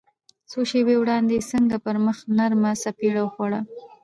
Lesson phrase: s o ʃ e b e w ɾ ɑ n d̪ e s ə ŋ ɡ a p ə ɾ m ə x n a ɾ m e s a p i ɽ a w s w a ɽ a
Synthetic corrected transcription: s o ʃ e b e w ɽ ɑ n d̪ e s ə ŋ ɡ a p ə ɾ m ə x n a ɾ m a s a p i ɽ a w x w a ɽ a